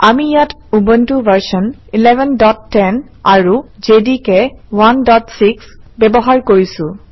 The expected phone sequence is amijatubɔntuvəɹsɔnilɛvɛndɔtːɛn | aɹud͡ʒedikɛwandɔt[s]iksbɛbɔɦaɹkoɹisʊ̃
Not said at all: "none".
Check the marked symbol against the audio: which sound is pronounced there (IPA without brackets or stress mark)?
s